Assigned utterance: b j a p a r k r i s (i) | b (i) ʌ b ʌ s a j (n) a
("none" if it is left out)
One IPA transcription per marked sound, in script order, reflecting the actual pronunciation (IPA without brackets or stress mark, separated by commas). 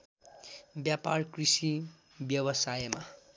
i, j, m